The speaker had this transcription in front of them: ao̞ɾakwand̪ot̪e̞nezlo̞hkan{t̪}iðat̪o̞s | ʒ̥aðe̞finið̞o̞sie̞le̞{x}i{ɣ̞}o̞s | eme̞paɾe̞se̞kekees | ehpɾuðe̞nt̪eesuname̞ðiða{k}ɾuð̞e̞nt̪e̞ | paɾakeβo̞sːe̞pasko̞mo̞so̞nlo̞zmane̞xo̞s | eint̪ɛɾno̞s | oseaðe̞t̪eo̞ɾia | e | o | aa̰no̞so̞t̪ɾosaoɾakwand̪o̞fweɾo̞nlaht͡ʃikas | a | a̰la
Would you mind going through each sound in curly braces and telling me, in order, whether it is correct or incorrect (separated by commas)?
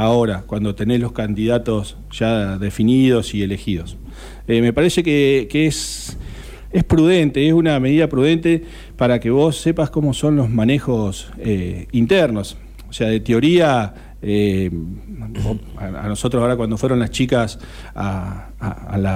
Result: incorrect, correct, incorrect, incorrect